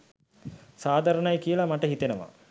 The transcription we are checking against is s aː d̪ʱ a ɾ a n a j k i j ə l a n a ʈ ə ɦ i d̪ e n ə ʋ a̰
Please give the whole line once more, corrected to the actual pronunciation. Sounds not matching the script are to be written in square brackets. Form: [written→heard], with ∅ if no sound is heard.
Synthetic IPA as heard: s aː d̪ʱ a ɾ [a→ə] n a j k i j ə l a [n→m] a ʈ ə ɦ i [d̪→t̪] e n ə ʋ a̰